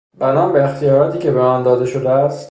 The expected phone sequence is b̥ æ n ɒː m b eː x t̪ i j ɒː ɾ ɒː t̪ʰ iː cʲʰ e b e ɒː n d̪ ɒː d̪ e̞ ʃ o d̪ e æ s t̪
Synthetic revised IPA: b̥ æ n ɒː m b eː x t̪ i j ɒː ɾ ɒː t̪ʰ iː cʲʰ e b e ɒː n d̪ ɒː d̪ e̞ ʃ o d̪ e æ s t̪